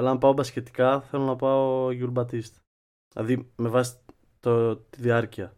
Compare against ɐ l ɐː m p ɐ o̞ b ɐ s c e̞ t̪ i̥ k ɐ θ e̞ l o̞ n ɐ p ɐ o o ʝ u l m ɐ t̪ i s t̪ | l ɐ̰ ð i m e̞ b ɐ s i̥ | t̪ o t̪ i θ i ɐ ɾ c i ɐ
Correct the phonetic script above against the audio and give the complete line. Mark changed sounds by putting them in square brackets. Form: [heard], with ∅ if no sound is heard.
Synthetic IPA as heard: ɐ l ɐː m p ɐ o̞ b ɐ s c e̞ t̪ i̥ k ɐ θ e̞ l o̞ n ɐ p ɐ o o ʝ u l [b] ɐ t̪ i s t̪ | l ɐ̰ ð i m e̞ [v] ɐ s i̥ | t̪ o t̪ i [ð] i ɐ ɾ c i ɐ